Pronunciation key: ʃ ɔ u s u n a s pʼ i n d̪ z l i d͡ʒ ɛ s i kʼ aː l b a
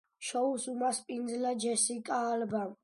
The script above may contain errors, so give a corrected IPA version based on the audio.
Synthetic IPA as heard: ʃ ɔ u s u m a s pʼ i n d̪ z l a d͡ʒ ɛ s i kʼ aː l b a